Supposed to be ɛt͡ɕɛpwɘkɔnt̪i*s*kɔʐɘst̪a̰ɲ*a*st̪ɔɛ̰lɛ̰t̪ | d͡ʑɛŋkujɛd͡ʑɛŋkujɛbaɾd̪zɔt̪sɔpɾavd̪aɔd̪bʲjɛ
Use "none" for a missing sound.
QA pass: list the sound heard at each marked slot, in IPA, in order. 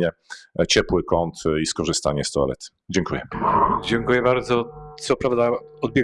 s, ɛ

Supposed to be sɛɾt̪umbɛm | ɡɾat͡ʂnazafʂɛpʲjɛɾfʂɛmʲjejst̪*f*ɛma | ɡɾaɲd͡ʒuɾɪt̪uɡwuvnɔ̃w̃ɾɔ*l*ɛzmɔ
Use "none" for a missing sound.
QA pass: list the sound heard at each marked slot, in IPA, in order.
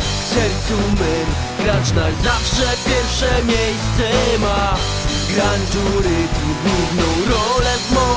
s, l

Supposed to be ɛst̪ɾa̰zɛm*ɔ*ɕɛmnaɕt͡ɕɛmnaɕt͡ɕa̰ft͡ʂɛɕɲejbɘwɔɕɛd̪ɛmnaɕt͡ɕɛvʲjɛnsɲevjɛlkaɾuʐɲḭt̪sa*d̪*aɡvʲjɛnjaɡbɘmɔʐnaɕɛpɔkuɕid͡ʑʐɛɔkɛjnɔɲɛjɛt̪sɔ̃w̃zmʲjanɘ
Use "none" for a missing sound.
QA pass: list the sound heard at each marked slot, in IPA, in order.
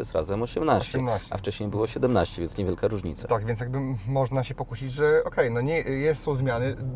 ɔ, t̪

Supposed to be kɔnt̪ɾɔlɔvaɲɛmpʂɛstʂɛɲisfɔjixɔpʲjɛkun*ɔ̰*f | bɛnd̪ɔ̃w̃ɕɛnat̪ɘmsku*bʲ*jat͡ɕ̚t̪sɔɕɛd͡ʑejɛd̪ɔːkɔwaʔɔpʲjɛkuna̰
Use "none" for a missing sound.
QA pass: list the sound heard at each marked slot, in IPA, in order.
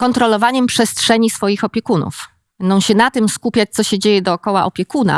ṵ, pʲ

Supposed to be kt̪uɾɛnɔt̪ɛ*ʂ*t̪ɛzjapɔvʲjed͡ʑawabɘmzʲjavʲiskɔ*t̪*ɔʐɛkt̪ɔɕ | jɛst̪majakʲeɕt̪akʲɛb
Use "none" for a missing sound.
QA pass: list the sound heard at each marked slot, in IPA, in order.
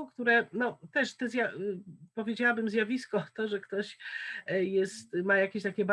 ʂ, t̪

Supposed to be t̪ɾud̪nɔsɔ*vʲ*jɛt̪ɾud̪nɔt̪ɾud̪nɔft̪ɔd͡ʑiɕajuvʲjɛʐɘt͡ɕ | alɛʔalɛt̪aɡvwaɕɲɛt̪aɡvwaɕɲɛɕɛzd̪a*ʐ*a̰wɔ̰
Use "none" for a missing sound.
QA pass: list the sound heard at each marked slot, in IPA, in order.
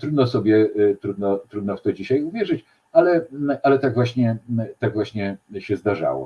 bʲ, ʐ

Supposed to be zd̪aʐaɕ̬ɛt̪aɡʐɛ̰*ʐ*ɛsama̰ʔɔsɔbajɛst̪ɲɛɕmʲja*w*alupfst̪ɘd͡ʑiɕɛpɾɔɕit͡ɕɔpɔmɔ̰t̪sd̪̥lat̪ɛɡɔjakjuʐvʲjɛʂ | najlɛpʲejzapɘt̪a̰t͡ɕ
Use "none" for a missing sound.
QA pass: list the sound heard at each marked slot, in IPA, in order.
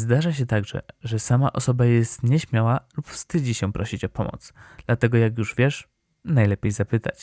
ʐ, w

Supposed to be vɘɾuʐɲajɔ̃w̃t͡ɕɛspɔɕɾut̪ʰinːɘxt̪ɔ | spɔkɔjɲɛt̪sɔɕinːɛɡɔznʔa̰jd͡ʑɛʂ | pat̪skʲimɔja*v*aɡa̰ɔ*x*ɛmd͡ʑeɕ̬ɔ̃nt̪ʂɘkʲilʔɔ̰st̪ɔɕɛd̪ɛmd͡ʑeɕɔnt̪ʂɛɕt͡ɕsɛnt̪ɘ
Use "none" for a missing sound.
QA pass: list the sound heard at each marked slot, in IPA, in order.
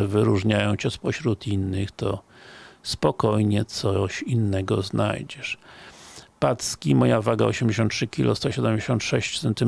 v, ɕ

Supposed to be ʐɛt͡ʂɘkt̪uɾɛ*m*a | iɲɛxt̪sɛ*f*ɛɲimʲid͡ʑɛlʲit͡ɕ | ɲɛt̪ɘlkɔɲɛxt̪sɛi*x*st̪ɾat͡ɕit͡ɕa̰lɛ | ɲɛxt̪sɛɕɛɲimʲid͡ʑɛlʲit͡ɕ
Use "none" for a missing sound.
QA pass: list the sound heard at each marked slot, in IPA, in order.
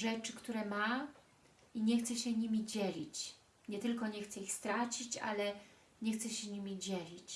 m, ɕ, x

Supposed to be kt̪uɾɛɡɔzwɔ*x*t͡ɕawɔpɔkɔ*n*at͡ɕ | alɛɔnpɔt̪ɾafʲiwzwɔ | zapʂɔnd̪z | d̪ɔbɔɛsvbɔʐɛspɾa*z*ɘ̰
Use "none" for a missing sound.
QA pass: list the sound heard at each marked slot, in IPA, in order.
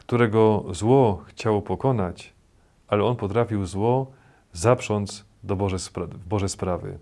x, n, v

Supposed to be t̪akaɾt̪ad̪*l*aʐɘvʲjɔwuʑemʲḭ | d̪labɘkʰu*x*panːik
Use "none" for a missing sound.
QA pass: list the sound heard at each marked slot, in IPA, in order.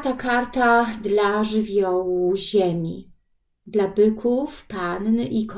l, f

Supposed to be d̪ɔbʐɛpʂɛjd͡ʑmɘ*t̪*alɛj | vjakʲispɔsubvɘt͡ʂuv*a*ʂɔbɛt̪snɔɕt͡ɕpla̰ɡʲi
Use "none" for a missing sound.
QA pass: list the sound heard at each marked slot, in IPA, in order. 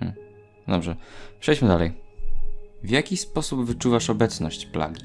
d̪, a

